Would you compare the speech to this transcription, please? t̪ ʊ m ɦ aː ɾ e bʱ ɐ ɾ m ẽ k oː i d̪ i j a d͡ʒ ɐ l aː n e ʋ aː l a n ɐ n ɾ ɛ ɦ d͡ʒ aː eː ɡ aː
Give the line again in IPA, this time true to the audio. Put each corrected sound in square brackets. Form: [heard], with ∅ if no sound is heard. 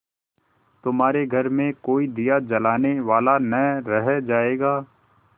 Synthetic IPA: t̪ ʊ m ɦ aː ɾ e [ɡʱ] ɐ ɾ m ẽ k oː i d̪ i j a d͡ʒ ɐ l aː n e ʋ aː l a n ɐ [∅] ɾ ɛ ɦ d͡ʒ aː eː ɡ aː